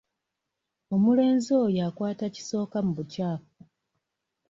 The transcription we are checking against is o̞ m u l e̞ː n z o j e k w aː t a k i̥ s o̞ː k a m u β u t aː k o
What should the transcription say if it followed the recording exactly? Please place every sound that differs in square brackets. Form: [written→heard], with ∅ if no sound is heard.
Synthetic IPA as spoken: o̞ m u l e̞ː n z o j [e→a] k w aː t a [k→c] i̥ s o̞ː k a m u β u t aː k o